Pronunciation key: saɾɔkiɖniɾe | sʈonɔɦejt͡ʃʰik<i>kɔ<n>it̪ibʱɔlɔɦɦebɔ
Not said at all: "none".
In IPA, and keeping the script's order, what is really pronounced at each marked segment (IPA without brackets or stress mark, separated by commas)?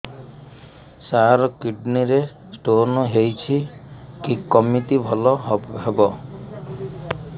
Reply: i, m